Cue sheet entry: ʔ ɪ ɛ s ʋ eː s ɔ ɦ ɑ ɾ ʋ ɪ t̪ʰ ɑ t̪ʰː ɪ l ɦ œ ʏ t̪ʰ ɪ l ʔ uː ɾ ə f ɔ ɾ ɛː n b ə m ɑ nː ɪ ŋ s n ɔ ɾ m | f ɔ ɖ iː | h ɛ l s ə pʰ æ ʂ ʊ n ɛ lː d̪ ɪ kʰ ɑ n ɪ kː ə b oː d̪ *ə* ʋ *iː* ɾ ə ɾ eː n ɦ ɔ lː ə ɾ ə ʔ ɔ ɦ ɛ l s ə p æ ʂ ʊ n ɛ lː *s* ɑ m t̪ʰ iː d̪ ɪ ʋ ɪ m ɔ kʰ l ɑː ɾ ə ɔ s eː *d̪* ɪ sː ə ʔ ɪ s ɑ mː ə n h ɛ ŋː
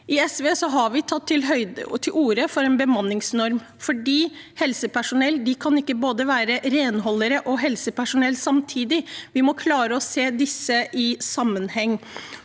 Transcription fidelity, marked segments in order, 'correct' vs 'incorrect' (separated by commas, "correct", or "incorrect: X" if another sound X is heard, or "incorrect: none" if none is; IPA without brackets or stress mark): correct, incorrect: æː, correct, correct